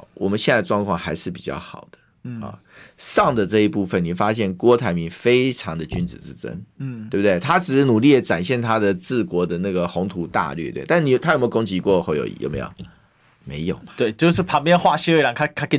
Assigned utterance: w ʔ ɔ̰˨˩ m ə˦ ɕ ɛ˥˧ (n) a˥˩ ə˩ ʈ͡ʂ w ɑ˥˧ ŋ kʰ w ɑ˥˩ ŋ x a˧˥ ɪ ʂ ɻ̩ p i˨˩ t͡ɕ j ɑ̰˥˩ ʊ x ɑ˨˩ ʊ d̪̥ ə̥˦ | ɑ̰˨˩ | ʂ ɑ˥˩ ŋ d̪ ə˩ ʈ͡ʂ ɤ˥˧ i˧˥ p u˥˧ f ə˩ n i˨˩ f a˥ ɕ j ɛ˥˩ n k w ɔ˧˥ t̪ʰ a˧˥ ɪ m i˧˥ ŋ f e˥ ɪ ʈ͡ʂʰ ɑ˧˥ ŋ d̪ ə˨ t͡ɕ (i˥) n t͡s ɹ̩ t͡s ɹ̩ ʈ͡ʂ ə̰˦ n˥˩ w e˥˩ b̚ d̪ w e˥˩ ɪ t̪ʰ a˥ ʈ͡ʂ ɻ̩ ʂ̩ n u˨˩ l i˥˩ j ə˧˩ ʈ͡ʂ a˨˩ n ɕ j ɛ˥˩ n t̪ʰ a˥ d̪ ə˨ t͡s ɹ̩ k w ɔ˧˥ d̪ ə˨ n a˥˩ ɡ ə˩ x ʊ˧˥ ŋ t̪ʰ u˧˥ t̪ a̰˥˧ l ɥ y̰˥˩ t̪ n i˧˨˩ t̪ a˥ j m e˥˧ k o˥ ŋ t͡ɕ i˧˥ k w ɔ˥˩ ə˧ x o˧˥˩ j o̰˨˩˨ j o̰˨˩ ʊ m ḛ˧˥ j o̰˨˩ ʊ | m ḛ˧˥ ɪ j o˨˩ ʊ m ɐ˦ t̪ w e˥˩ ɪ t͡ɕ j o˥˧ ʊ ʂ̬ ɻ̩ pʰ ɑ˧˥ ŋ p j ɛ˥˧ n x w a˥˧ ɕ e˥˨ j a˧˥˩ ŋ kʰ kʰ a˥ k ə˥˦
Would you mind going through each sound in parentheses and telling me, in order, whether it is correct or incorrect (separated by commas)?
correct, incorrect